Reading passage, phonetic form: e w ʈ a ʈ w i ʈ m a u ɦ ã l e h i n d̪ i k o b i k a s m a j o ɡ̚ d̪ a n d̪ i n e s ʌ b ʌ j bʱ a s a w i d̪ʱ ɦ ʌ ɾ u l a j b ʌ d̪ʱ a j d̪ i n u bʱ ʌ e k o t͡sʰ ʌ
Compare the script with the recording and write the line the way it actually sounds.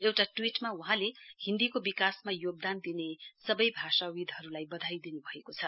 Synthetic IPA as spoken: e w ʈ a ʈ w i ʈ m a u ɦ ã l e h i n d̪ i k o b i k a s m a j o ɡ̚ d̪ a n d̪ i n e s ʌ b ʌ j bʱ a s a w i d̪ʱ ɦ ʌ ɾ u l a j b ʌ d̪ʱ a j d̪ i n u bʱ ʌ e k o t͡sʰ ʌ